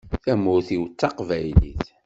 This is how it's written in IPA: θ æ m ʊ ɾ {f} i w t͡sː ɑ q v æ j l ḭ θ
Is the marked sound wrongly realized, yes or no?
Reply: yes